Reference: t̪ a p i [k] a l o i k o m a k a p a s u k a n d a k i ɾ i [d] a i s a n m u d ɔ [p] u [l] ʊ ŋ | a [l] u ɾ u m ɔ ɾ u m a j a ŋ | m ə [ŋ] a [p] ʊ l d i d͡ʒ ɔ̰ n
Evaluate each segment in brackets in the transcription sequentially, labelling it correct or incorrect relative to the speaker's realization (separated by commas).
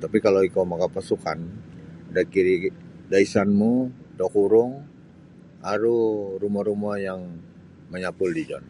correct, correct, incorrect, incorrect, incorrect, incorrect, correct